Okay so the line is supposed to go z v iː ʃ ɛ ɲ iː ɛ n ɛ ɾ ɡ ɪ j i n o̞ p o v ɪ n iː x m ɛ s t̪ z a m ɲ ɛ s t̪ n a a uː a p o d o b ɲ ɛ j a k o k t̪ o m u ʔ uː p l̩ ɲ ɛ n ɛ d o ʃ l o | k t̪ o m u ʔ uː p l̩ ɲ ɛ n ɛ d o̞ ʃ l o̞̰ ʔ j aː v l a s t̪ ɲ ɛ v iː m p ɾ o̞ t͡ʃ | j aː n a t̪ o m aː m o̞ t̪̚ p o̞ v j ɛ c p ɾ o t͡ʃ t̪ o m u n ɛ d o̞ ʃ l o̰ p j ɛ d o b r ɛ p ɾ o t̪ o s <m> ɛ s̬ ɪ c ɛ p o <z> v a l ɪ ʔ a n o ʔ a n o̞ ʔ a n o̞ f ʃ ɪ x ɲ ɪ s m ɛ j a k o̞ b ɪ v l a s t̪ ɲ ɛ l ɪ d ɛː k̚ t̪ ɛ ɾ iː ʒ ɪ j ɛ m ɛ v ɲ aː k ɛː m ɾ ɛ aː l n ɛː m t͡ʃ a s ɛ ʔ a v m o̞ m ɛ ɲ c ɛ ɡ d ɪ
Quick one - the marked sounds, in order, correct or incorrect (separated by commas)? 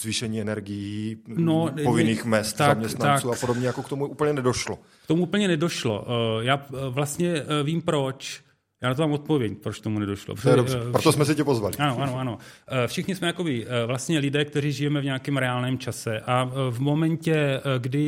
correct, correct